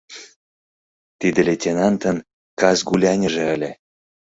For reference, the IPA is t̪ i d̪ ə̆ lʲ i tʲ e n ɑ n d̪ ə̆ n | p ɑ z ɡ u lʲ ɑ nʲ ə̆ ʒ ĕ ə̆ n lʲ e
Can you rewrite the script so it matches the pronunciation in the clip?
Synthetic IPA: t̪ i d̪ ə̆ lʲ e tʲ e n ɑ n t̪ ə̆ n | k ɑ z ɡ u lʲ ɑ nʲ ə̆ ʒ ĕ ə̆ lʲ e